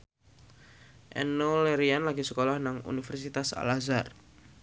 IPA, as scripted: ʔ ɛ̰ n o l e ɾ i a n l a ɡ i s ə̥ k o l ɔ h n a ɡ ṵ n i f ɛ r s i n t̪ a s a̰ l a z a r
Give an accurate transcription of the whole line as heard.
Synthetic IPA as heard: ʔ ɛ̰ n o l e ɾ i a n l a ɡ i s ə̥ k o l ɔ h n a ŋ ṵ n i f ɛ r s i t̪ a s a̰ l a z a r